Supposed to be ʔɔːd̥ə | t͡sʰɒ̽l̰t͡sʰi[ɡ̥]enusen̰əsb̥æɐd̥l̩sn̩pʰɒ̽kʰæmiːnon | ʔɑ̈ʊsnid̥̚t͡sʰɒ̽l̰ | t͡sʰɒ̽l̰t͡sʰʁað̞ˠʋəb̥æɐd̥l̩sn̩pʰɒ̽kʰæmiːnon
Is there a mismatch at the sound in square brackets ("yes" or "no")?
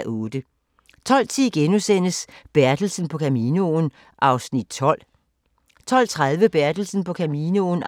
no